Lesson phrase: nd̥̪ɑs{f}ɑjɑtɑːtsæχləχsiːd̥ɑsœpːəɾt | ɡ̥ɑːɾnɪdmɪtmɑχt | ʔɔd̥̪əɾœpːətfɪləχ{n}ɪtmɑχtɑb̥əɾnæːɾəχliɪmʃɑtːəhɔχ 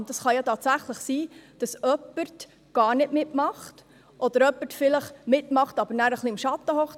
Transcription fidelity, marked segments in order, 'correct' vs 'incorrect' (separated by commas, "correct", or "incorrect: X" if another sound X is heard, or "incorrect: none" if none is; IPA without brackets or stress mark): incorrect: χ, incorrect: m